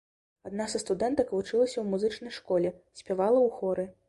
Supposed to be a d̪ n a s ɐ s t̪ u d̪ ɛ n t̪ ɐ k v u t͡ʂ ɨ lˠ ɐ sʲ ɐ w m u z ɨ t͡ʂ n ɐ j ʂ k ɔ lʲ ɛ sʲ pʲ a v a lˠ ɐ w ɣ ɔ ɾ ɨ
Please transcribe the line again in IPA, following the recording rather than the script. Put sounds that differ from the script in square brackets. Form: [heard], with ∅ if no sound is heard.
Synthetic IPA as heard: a d̪ n a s ɐ s t̪ u d̪ ɛ n t̪ ɐ k v u t͡ʂ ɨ lˠ ɐ sʲ ɐ w m u z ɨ t͡ʂ n ɐ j ʂ k ɔ lʲ ɛ sʲ pʲ a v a lˠ ɐ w [x] ɔ ɾ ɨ